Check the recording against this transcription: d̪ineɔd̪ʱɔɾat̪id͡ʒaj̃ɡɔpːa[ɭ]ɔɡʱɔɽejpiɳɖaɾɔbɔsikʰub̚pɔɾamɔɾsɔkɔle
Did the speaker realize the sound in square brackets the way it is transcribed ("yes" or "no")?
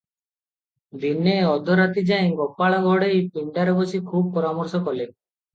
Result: yes